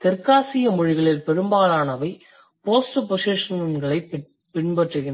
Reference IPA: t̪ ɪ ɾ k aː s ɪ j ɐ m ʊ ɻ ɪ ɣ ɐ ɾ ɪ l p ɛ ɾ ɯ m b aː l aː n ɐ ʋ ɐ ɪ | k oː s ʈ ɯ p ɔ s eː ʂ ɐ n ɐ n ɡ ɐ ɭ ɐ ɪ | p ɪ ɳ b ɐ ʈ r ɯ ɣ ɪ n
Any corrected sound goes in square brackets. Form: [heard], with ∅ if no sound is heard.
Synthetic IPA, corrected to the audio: t̪ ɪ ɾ k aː s ɪ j ɐ m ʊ ɻ ɪ ɣ ɐ [ɭ] ɪ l p ɛ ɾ ɯ m b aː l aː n ɐ ʋ ɐ ɪ | [p] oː s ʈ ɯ p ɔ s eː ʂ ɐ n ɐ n ɡ ɐ ɭ ɐ ɪ | p ɪ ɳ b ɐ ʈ r ɯ ɣ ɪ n